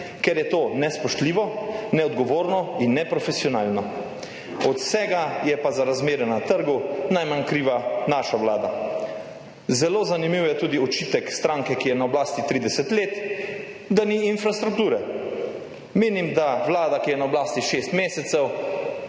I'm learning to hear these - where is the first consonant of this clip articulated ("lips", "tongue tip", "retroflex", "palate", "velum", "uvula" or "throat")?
velum